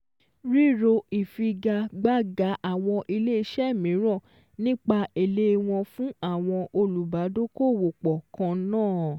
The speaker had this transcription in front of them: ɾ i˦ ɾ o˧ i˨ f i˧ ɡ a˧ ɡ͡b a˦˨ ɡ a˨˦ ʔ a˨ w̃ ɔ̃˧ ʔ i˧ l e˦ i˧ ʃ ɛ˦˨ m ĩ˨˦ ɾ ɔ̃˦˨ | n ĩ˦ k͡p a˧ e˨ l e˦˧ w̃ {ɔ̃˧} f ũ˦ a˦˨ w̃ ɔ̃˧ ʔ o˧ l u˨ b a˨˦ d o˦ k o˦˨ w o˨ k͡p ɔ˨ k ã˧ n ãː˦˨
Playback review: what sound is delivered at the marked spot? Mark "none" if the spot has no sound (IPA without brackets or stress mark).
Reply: ɔ̃˧